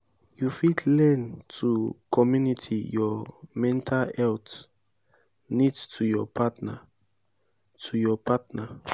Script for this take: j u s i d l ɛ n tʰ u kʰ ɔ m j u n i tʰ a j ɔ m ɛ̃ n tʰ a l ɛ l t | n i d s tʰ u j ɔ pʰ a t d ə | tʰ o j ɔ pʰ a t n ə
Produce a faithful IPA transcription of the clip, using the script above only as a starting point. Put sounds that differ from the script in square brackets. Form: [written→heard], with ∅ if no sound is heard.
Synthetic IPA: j u [s→f] i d l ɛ n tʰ u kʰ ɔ m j u n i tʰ [a→i] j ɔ m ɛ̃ n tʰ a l ɛ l t | n i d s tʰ u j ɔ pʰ a t [d→n] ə | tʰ [o→u] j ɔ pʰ a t n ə

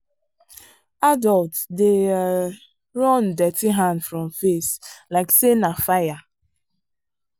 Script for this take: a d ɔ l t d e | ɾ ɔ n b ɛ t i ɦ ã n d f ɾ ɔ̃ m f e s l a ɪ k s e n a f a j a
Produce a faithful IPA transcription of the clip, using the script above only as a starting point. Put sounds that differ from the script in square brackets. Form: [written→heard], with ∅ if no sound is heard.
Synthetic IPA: a d ɔ l t d e | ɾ ɔ n [b→d] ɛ t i ɦ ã n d f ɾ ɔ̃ m f e s l a ɪ k s e n a f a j a

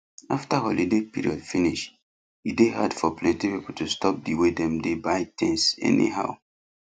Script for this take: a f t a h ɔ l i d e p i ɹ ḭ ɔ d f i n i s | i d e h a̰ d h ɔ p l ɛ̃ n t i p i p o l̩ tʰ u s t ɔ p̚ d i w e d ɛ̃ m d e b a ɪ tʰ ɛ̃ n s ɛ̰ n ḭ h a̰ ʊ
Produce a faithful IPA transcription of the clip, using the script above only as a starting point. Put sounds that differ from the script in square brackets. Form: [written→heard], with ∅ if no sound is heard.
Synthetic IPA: a f t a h ɔ l i d e p i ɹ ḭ ɔ d f i n i [s→ʃ] | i d e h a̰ d [h→f] ɔ p l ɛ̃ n t i p i p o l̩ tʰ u s t ɔ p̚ d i w e d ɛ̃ m d e b a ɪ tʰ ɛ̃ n s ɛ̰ n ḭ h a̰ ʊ

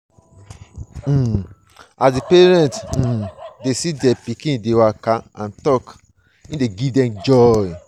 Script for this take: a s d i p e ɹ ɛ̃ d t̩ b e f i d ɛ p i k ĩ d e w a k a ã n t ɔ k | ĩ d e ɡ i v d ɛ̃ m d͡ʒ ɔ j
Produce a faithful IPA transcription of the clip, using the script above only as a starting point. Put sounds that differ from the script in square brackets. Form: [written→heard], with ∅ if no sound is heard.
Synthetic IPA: a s d i p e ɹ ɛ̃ [d→n] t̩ [b→d] e [f→s] i d ɛ p i k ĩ d e w a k a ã n t ɔ k | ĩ d e ɡ i v d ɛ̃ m d͡ʒ ɔ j

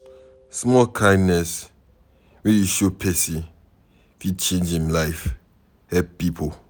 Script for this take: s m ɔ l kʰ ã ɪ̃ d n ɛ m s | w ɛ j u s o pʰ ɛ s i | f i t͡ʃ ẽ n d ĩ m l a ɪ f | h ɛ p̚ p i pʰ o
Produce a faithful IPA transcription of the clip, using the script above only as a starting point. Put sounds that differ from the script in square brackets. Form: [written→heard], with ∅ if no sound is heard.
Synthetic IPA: s m ɔ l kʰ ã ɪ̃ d n ɛ [m→∅] s | w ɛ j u [s→ʃ] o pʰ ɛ s i | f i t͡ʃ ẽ n [d→d͡ʒ] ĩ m l a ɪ f | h ɛ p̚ p i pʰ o

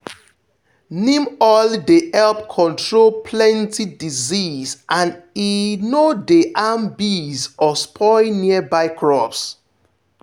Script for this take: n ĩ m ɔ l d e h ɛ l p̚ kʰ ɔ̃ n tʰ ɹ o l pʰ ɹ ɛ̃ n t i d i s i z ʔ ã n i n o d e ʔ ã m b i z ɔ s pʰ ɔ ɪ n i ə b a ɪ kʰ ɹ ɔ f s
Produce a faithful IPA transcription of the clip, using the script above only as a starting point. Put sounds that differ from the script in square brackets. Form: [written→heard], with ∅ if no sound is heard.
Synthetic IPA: n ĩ m ɔ l d e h ɛ l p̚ kʰ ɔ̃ n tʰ ɹ o l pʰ [ɹ→l] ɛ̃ n t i d i [s→z] i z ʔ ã n i n o d e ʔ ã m b i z ɔ s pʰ ɔ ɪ n i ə b a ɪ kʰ ɹ ɔ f s

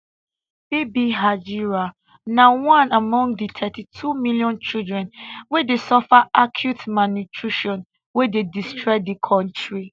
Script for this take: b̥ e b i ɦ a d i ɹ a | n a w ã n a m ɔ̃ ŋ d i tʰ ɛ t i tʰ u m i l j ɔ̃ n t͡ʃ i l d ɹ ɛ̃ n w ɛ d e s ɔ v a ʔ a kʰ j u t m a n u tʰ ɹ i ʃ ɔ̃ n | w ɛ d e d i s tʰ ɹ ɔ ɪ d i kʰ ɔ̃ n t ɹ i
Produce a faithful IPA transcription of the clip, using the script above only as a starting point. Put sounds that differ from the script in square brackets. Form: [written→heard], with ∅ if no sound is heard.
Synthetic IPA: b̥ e b i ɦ a [d→d͡ʒ] i ɹ a | n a w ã n a m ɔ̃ ŋ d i tʰ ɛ t i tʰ u m i l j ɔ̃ n t͡ʃ i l d ɹ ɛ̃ n w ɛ d e s ɔ [v→f] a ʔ a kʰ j u t m a n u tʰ ɹ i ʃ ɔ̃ n | w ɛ d e d i s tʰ ɹ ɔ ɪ d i kʰ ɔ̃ n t ɹ i

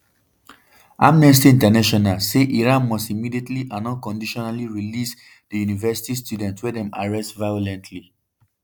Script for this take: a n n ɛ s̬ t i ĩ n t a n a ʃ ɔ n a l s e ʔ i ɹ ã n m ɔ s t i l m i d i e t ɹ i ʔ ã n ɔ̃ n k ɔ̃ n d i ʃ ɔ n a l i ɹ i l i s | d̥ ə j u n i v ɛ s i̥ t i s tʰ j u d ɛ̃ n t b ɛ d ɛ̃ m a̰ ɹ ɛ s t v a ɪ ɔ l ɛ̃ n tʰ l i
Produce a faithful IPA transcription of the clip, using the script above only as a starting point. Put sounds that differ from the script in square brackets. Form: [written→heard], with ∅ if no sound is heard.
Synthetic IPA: a [n→m] n ɛ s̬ t i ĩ n t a n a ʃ ɔ n a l s e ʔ i ɹ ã n m ɔ s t i [l→∅] m i d i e t [ɹ→l] i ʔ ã n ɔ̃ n k ɔ̃ n d i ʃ ɔ n a l i ɹ i l i s | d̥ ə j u n i v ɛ s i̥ t i s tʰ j u d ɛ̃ n t [b→w] ɛ d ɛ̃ m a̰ ɹ ɛ s t v a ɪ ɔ l ɛ̃ n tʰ l i

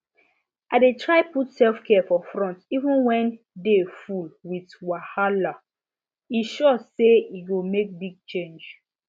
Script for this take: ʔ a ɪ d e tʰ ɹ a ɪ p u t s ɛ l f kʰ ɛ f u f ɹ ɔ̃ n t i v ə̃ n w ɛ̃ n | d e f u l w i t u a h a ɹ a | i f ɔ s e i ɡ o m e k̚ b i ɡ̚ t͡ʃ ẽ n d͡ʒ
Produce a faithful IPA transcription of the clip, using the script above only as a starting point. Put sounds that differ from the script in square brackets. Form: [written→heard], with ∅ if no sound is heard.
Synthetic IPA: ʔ a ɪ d e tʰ ɹ a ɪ p u t s ɛ l f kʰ ɛ f [u→ɔ] f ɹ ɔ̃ n t i v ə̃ n w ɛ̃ n | d e f u l w i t [u→w] a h a [ɹ→l] a | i [f→ʃ] ɔ s e i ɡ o m e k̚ b i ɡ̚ t͡ʃ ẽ n d͡ʒ

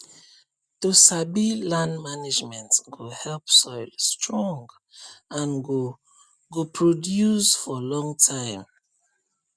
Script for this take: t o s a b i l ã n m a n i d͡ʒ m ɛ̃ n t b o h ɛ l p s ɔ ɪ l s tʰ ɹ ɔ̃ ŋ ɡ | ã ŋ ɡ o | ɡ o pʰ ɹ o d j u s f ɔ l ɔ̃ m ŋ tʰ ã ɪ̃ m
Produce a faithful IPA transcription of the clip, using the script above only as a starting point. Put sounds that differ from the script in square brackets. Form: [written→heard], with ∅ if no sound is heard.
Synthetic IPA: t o s a b i l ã n m a n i d͡ʒ m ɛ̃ n t [b→ɡ] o h ɛ l p s ɔ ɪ l s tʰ ɹ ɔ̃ ŋ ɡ | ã [ŋ→n] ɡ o | ɡ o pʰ ɹ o d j u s f ɔ l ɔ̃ [m→∅] ŋ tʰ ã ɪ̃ m

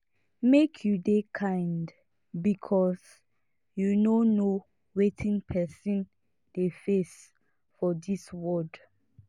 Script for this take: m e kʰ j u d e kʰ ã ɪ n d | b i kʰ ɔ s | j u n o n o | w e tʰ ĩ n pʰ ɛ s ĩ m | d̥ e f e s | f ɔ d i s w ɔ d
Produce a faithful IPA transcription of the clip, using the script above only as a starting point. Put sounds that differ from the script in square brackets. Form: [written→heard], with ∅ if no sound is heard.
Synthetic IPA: m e kʰ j u d e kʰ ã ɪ n d | b i kʰ ɔ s | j u n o n o | w e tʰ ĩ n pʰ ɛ s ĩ [m→n] | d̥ e f e s | f ɔ d i s w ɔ d

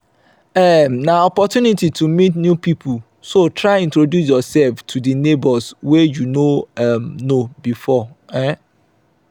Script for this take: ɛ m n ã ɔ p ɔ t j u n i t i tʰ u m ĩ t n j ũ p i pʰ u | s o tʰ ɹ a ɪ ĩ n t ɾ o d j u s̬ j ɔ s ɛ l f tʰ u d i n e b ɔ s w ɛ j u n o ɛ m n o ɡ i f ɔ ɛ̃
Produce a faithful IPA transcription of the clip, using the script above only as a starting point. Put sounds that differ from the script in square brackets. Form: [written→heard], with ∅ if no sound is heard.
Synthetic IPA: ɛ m n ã ɔ p ɔ t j u n i t i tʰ u m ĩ t n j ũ p i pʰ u | s o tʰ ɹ a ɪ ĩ n t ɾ o d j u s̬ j ɔ s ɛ l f tʰ u d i n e b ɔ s w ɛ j u n o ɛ m n o [ɡ→b] i f ɔ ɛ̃

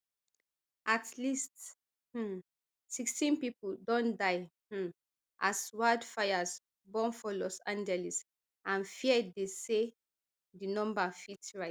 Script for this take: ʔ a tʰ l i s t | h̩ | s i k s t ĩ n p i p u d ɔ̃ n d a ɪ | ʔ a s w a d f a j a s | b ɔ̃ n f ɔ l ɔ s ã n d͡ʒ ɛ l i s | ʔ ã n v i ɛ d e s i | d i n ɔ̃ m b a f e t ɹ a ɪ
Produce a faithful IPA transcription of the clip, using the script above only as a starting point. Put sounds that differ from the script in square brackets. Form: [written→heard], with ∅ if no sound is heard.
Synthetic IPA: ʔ a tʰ l i s t | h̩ | s i k s t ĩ n p i p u d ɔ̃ n d a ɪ | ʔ a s w a d f a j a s | b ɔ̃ n f ɔ l ɔ s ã n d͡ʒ ɛ l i s | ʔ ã n [v→f] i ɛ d e s [i→e] | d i n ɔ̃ m b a f [e→i] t ɹ a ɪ

